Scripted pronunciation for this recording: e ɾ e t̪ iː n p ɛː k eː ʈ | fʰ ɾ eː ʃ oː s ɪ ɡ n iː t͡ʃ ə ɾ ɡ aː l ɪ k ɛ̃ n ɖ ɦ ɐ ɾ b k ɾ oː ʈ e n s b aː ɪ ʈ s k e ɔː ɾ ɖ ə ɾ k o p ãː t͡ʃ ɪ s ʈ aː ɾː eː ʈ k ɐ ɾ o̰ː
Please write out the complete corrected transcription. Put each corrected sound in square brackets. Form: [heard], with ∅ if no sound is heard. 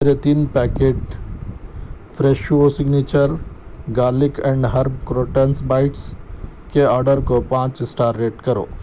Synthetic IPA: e ɾ e t̪ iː n p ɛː k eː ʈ | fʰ ɾ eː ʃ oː s ɪ ɡ n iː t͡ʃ ə ɾ ɡ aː l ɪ k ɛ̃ [ɳ] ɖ ɦ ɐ ɾ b k ɾ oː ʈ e n s b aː ɪ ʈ s k e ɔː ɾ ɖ ə ɾ k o p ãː t͡ʃ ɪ s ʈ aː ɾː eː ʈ k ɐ ɾ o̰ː